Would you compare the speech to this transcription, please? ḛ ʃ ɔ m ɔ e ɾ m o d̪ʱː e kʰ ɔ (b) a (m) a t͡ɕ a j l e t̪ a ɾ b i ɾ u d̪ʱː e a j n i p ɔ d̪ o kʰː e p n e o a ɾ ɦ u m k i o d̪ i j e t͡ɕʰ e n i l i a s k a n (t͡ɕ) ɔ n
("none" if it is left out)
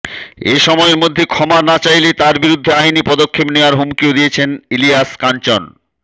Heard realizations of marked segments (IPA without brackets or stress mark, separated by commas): m, n, t͡ɕ